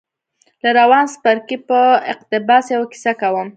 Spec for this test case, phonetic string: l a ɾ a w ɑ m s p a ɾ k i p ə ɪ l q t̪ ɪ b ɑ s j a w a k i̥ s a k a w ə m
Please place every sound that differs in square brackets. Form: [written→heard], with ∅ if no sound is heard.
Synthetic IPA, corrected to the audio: l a ɾ a w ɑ [m→n] s p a ɾ k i p ə ɪ [l→∅] q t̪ ɪ b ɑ s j a w a k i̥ s a k a w ə m